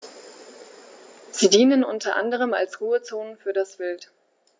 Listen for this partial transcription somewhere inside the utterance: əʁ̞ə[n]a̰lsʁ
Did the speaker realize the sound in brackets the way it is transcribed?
no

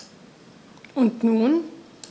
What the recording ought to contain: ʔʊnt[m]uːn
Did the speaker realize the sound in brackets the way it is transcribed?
no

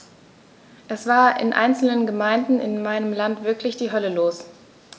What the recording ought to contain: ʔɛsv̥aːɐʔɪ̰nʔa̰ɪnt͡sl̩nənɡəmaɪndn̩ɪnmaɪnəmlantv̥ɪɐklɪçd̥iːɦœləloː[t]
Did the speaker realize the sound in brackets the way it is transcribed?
no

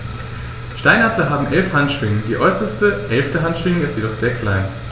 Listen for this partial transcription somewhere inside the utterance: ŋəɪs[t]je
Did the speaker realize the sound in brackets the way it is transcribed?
yes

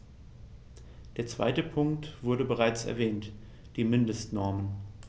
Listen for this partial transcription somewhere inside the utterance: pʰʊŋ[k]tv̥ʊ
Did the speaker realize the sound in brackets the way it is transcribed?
yes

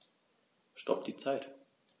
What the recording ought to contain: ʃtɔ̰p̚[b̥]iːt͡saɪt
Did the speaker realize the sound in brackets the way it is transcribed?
no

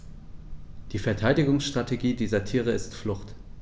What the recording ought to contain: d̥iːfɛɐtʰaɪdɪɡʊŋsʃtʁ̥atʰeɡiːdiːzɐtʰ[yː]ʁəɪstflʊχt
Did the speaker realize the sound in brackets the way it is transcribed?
no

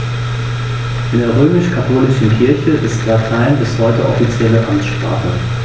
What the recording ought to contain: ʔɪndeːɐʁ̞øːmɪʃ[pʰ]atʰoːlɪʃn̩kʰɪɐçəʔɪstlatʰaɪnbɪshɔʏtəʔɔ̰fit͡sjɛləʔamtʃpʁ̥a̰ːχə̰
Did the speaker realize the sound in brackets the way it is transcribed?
no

